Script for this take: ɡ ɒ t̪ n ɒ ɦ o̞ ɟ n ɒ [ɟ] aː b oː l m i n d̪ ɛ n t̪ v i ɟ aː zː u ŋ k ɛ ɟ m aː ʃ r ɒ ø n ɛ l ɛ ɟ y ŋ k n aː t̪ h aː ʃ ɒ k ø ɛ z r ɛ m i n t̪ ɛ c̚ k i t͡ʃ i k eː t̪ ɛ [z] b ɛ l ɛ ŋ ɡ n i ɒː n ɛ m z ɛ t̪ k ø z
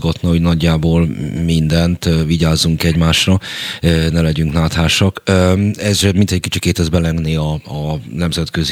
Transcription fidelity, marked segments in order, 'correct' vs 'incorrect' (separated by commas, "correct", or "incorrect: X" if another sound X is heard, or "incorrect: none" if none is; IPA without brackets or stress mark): incorrect: ɟː, correct